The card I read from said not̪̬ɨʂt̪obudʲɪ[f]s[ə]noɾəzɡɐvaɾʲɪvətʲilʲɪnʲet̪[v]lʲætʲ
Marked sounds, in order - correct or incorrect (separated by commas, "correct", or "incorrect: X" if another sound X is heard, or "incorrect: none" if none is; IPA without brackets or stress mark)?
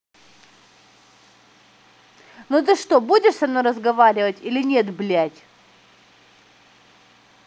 incorrect: ʂ, incorrect: ɐ, incorrect: b